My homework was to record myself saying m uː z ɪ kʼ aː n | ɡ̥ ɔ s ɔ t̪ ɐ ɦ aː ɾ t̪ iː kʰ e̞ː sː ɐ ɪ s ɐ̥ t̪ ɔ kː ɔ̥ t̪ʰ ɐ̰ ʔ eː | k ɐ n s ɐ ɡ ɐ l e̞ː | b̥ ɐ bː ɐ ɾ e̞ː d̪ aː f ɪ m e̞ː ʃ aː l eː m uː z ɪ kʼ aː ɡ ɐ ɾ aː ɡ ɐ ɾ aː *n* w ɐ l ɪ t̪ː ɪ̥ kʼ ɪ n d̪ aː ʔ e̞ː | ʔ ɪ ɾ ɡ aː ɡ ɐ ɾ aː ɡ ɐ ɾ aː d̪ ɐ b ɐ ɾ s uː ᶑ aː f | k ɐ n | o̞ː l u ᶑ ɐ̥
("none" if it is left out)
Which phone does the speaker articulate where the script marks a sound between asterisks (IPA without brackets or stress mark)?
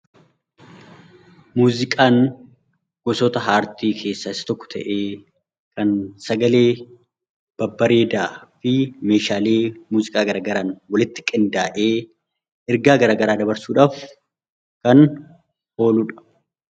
n